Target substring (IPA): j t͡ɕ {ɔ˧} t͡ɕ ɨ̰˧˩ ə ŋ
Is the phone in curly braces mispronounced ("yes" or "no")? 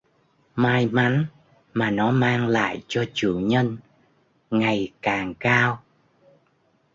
no